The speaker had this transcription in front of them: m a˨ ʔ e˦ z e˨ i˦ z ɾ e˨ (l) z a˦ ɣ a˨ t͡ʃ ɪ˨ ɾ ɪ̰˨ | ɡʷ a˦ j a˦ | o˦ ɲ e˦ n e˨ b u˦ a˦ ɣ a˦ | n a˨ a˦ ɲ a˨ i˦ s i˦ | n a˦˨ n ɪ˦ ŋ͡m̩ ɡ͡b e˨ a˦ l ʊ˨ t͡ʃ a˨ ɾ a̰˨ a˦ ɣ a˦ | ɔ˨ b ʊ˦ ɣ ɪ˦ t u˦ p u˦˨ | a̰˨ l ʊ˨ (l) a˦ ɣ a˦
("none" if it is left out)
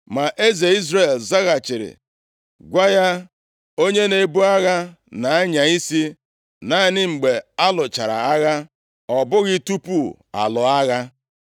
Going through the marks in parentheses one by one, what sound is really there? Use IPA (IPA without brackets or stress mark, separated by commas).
l, none